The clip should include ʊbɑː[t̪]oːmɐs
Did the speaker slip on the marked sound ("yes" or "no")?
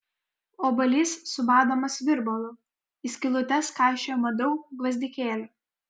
yes